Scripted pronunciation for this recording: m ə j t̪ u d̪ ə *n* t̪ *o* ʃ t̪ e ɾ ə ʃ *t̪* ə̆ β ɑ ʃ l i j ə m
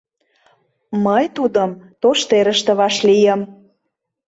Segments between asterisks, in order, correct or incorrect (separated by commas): incorrect, correct, correct